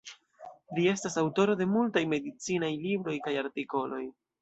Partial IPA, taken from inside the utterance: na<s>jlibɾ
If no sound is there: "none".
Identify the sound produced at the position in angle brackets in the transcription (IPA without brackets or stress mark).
none